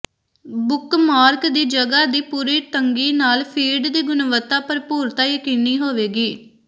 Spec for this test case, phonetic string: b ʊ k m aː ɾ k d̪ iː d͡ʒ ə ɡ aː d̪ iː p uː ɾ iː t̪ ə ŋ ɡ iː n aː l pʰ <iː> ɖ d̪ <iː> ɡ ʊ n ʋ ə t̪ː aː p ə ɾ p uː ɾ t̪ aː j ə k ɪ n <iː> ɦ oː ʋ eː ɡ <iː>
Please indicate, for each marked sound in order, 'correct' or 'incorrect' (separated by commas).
correct, correct, correct, correct